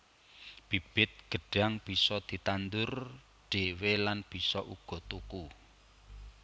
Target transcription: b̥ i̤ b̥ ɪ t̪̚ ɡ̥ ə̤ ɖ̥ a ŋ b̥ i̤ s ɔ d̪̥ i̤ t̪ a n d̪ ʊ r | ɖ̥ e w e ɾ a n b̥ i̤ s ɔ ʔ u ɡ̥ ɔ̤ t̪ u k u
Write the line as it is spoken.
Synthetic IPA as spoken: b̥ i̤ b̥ ɪ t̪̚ ɡ̥ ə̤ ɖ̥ a ŋ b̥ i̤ s ɔ d̪̥ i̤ t̪ a n d̪ ʊ r | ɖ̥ e w e l a n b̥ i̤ s ɔ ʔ u ɡ̥ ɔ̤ t̪ u k u